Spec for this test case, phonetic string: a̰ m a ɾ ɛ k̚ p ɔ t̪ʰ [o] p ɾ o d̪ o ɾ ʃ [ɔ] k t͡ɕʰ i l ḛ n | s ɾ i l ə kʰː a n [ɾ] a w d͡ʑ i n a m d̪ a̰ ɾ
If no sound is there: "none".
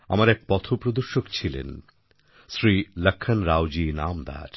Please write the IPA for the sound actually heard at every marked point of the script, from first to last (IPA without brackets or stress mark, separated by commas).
o, o, ɾ